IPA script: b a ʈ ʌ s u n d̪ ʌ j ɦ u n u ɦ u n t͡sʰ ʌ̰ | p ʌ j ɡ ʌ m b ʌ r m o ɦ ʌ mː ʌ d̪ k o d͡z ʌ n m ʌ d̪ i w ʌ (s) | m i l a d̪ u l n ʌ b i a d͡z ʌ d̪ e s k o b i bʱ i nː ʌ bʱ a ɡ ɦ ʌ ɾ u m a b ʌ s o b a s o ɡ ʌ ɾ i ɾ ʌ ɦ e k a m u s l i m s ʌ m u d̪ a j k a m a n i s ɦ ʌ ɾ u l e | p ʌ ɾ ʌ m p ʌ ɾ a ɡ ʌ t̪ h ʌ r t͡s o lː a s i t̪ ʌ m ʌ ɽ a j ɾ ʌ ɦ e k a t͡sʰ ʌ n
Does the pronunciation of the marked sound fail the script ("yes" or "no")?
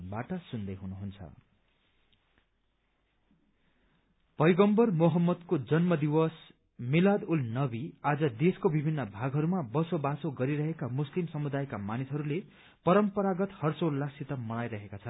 no